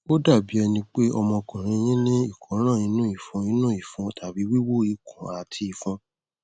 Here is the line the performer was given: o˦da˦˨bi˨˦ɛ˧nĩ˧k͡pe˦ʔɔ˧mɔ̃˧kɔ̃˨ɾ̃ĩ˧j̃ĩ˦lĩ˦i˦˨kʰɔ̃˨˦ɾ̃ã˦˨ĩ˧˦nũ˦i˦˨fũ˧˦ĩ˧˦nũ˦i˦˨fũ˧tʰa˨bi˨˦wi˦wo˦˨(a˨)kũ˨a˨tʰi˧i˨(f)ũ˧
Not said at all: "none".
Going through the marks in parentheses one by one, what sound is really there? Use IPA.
i˨, f

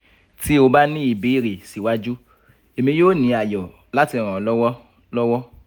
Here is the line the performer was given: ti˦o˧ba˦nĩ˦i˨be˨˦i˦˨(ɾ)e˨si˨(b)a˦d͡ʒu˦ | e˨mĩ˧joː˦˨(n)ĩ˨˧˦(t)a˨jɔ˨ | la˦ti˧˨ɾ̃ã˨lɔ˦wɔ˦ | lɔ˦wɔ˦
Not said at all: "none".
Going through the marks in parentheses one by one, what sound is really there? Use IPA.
ɾ, w, n, none

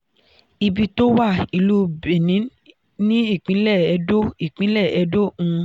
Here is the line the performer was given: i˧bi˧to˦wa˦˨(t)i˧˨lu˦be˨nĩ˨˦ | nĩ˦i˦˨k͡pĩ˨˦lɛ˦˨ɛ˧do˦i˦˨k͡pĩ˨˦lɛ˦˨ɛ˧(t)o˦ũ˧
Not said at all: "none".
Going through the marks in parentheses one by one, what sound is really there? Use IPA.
none, d

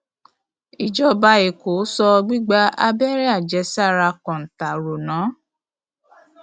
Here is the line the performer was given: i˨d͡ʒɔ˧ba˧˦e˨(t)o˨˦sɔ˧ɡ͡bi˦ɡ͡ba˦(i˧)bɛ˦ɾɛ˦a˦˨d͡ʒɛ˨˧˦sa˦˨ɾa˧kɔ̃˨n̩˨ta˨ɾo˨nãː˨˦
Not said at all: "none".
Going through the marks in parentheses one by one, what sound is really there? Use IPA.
k, a˧

